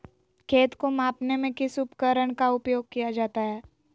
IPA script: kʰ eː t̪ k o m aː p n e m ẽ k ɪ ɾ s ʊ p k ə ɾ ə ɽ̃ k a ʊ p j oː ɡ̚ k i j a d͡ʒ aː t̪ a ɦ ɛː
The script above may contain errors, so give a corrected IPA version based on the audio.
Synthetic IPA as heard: kʰ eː t̪ k o m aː p n e m ẽ k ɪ s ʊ p k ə ɾ ə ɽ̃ k a ʊ p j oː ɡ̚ k i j a d͡ʒ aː t̪ a ɦ ɛː